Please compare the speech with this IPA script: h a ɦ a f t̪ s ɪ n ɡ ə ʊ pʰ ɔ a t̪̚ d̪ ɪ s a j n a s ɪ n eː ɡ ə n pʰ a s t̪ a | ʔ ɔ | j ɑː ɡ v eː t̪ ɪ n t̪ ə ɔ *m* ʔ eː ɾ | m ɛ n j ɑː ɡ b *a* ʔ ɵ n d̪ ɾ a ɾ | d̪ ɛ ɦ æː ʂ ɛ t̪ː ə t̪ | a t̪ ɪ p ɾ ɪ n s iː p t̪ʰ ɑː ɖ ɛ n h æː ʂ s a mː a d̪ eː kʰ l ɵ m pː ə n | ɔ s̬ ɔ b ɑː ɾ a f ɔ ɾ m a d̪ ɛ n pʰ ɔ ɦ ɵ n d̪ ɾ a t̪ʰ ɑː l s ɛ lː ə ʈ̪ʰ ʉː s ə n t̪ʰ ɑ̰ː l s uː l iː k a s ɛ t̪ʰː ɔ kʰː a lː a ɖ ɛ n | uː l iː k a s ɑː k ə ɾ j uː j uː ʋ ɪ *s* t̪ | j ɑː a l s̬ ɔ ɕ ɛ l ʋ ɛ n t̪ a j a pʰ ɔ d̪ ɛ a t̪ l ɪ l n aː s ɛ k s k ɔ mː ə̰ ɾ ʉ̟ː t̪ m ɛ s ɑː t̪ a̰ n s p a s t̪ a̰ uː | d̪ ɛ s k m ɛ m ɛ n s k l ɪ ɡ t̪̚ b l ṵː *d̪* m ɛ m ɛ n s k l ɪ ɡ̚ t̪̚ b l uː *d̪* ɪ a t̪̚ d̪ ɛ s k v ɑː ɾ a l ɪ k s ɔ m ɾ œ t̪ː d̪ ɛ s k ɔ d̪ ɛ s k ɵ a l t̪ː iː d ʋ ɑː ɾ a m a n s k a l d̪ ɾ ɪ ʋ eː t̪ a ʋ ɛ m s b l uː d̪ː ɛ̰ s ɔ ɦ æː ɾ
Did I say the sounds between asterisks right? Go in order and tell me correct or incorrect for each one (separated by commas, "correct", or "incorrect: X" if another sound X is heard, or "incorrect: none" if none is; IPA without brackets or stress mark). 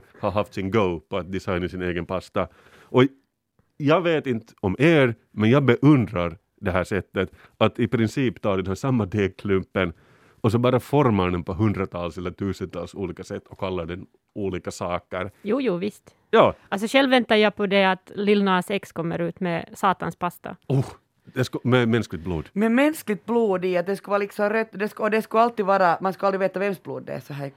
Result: correct, incorrect: ɛ, correct, correct, correct